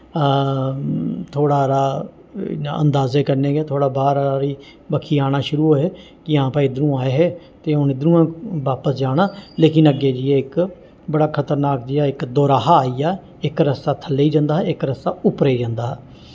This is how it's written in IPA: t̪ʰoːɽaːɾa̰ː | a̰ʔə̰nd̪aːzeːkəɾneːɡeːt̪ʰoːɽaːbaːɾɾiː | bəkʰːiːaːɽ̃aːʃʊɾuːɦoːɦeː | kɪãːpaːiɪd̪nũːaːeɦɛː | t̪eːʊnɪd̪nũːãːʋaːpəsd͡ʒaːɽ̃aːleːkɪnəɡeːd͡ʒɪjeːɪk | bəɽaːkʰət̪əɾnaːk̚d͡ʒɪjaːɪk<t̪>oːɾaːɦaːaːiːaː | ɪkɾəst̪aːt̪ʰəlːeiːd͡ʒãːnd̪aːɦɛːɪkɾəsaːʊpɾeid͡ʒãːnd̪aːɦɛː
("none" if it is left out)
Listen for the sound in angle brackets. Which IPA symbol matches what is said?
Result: d̪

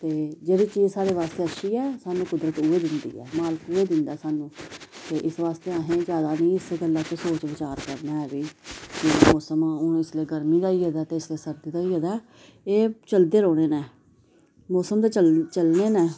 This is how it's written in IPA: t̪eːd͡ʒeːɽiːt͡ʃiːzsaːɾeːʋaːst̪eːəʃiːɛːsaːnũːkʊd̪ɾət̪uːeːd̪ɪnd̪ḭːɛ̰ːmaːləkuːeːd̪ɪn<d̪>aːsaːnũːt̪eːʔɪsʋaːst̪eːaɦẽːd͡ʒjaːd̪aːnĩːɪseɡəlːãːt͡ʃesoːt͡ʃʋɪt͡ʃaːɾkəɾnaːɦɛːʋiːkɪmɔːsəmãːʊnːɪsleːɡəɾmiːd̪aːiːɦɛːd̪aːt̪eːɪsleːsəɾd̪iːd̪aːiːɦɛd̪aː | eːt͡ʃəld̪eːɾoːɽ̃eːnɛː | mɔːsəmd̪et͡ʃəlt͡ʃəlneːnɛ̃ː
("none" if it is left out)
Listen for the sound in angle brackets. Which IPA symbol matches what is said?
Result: d̪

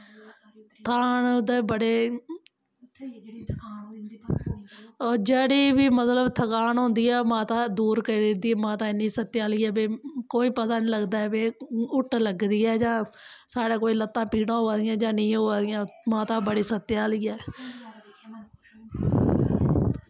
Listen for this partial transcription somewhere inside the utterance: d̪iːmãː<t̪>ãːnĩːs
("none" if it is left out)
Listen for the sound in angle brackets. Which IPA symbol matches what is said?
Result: t̪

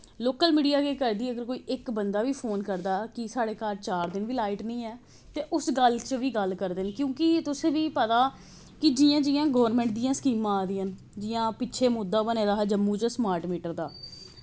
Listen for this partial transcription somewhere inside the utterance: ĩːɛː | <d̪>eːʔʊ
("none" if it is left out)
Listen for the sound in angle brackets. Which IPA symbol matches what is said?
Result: t̪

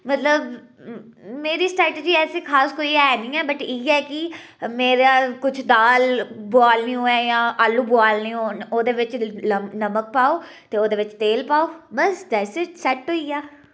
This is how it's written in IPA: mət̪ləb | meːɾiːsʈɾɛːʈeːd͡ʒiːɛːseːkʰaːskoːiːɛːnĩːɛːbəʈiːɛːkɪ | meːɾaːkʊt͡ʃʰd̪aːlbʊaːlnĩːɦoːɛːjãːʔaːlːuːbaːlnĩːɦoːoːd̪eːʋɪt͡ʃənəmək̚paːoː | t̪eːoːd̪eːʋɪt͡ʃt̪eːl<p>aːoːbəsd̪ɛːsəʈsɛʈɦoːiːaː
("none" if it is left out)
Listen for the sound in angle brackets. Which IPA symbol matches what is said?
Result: p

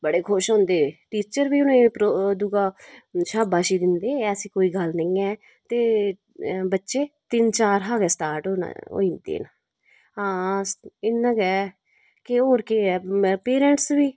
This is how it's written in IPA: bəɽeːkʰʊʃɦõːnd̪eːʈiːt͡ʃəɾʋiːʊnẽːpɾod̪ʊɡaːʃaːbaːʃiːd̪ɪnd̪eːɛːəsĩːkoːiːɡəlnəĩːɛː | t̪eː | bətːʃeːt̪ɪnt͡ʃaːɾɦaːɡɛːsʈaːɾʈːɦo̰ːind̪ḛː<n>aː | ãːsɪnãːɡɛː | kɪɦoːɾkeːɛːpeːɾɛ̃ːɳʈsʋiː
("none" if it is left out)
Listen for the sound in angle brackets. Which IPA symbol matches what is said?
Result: n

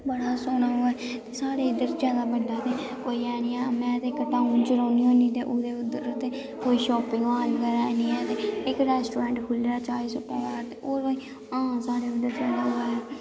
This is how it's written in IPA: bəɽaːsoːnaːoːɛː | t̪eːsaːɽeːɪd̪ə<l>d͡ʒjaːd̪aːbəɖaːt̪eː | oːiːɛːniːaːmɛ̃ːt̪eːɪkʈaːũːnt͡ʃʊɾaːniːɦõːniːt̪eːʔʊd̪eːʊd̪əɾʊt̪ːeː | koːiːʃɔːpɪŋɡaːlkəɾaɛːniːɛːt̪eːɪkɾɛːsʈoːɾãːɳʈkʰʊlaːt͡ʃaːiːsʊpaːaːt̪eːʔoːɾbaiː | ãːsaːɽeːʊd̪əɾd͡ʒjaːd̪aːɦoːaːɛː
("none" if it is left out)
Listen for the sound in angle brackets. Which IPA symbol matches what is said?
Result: ɾ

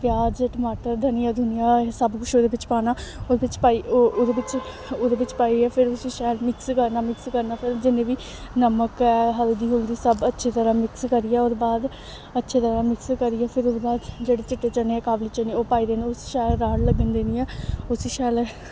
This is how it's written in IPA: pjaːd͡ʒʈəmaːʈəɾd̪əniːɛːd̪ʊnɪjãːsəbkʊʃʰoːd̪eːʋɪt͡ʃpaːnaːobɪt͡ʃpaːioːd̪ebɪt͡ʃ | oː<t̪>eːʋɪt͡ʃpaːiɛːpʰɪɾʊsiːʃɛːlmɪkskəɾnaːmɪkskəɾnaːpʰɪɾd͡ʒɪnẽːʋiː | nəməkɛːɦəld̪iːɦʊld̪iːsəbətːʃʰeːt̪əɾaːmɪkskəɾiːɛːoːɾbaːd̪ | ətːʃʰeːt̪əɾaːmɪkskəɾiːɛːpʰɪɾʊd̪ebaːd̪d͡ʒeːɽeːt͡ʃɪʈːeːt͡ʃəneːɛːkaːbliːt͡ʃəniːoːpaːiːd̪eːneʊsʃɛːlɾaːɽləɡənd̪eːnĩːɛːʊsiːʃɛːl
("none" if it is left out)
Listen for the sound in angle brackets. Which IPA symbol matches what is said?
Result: d̪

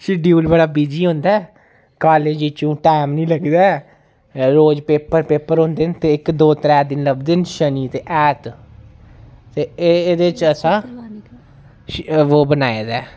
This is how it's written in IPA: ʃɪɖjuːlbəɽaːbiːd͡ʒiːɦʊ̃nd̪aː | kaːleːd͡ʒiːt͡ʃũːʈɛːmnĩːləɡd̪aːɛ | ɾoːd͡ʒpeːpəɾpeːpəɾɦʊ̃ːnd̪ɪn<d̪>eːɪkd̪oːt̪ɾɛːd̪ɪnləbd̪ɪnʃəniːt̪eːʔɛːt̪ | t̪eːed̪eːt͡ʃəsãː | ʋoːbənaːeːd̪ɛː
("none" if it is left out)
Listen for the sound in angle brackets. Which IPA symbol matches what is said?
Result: t̪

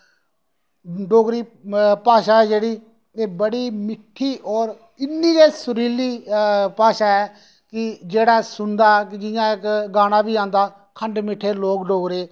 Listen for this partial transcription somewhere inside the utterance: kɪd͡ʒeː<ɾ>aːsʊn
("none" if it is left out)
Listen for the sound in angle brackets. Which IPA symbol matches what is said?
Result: ɽ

